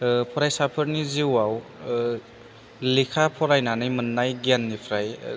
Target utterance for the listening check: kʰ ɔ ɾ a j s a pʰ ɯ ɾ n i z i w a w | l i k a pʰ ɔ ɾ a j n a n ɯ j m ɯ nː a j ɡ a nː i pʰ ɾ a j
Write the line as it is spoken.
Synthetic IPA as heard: pʰ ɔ ɾ a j s a pʰ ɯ ɾ n i z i w a w | l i kʰ a pʰ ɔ ɾ a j n a n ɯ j m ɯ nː a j ɡ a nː i pʰ ɾ a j